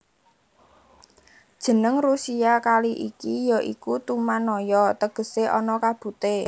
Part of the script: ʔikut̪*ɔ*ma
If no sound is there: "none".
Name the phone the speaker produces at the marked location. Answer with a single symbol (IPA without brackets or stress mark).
u